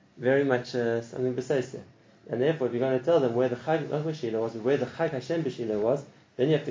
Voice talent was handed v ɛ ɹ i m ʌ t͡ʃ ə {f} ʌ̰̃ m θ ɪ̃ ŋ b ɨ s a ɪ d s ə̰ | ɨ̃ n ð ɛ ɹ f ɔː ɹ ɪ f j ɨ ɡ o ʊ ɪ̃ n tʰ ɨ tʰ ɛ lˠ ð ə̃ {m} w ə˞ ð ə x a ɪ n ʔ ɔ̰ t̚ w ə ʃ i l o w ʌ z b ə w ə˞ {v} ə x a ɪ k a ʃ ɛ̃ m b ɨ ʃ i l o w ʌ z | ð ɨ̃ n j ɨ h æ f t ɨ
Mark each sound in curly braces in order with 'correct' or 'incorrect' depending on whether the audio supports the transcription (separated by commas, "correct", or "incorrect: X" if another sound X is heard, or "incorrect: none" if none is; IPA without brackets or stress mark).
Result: incorrect: s, correct, incorrect: ð